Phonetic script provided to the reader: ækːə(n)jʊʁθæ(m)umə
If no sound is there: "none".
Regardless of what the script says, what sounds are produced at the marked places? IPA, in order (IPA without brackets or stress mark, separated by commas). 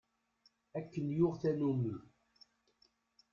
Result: n, n